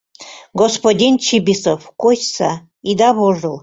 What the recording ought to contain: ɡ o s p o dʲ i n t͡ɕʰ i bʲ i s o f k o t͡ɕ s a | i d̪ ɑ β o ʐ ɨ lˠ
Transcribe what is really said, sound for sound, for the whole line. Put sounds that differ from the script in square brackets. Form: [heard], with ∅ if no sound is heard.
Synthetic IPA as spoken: ɡ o s p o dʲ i n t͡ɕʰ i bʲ i s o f k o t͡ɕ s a | i d̪ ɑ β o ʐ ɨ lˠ